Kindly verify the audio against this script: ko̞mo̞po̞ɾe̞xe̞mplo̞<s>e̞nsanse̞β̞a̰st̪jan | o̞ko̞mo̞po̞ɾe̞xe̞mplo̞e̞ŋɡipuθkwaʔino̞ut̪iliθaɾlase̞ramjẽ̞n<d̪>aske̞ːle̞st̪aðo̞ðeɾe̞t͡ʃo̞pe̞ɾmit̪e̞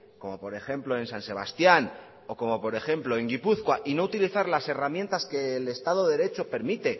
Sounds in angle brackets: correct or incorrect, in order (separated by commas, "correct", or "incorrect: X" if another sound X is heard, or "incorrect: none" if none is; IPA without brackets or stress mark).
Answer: incorrect: none, incorrect: t̪